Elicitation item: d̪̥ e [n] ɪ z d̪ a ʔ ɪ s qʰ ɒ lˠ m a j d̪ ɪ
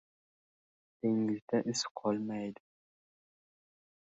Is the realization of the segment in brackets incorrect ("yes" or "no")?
yes